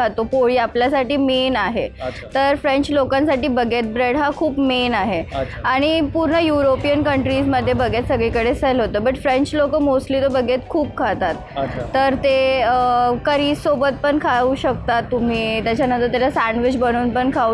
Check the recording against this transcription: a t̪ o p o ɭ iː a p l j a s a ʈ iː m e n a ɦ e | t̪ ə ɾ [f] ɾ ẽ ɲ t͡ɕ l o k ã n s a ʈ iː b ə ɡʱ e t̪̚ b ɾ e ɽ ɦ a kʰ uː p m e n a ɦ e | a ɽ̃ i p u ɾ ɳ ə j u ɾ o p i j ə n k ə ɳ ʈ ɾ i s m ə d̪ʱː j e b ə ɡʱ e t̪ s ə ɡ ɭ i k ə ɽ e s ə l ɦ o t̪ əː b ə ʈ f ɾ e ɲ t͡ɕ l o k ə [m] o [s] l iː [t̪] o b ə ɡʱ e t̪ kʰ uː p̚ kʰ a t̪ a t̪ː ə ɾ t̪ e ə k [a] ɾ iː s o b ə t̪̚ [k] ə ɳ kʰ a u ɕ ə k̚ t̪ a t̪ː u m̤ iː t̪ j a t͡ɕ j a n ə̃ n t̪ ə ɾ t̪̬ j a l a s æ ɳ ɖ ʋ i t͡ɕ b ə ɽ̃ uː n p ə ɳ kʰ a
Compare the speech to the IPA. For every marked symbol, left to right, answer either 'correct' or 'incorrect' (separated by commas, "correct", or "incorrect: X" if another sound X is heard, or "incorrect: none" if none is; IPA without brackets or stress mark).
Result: correct, correct, correct, correct, incorrect: ə, incorrect: p